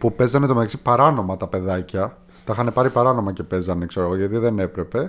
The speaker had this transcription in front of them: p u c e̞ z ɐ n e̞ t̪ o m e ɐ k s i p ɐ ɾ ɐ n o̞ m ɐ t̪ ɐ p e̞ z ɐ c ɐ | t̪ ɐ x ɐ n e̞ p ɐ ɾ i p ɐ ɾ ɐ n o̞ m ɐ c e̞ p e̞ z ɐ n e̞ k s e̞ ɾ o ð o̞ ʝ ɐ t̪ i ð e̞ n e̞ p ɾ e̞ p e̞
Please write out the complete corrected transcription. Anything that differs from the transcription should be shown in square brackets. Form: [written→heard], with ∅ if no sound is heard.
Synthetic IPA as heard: p u [c→p] e̞ z ɐ n e̞ t̪ o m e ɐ k s i p ɐ ɾ ɐ n o̞ m ɐ t̪ ɐ p e̞ [z→ð] ɐ c ɐ | t̪ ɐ x ɐ n e̞ p ɐ ɾ i p ɐ ɾ ɐ n o̞ m ɐ c e̞ p e̞ z ɐ n e̞ k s e̞ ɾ o [ð→ɣ] o̞ ʝ ɐ t̪ i ð e̞ n e̞ p ɾ e̞ p e̞